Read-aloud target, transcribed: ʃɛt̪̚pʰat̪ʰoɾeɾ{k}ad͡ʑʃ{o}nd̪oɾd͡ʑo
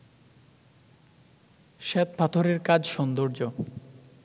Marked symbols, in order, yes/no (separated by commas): yes, no